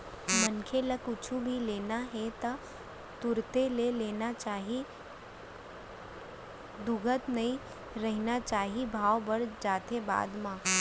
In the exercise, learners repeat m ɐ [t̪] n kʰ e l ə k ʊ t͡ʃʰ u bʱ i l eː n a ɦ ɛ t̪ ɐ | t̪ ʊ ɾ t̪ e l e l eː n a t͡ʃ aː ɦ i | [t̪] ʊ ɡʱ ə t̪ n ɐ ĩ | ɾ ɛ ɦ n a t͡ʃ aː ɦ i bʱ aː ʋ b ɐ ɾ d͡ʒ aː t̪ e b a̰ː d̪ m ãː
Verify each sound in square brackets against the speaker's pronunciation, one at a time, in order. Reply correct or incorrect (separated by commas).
incorrect, incorrect